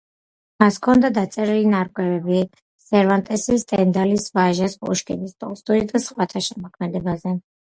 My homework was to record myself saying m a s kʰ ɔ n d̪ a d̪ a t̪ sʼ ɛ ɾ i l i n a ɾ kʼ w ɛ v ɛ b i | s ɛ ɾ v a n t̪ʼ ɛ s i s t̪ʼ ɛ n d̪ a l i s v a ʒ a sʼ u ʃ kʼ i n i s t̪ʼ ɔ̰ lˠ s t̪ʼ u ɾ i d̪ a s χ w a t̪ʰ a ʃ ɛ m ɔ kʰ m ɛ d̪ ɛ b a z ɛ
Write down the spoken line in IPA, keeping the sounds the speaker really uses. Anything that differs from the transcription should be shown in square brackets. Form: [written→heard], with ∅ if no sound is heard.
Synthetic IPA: m a s kʰ ɔ n d̪ a d̪ a t̪ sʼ ɛ ɾ i l i n a ɾ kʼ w ɛ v ɛ b i | s ɛ ɾ v a n t̪ʼ ɛ s i s t̪ʼ ɛ n d̪ a l i s v a ʒ a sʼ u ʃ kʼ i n i s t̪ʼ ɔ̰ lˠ s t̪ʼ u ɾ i d̪ a s χ w a t̪ʰ a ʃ ɛ m ɔ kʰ m ɛ d̪ ɛ b a z ɛ